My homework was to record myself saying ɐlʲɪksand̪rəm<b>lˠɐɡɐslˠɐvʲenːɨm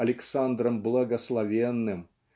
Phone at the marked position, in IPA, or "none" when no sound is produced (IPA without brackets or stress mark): b